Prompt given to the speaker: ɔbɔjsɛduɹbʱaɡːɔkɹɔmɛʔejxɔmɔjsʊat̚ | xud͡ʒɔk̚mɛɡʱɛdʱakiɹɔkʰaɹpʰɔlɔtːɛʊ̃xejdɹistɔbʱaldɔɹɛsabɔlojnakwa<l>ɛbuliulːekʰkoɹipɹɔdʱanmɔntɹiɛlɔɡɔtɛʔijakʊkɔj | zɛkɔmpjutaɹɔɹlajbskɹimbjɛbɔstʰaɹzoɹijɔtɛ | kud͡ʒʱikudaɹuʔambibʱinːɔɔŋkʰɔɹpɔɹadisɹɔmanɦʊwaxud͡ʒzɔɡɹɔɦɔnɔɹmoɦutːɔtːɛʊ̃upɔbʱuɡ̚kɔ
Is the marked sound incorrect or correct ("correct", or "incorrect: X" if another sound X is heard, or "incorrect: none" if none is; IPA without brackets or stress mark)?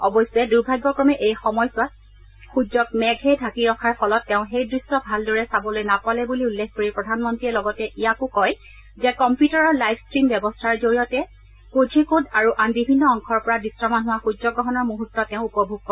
correct